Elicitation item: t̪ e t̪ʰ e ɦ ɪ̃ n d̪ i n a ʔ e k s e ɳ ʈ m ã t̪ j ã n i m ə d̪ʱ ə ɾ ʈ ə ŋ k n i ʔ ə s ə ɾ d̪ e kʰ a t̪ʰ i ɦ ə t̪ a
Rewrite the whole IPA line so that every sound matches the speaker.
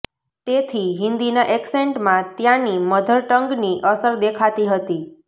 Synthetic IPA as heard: t̪ e t̪ʰ i ɦ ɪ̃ n d̪ i n a ʔ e k s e ɳ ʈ m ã t̪ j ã n i m ə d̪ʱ ə ɾ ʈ ə ŋ ɡ n i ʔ ə s ə ɾ d̪ e kʰ a t̪ i ɦ ə t̪ i